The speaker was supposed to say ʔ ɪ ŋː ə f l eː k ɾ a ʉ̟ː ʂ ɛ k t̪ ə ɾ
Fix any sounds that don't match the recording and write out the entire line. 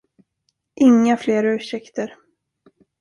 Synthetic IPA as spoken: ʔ ɪ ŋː a f l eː ɾ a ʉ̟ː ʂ ɛ k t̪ ə ɾ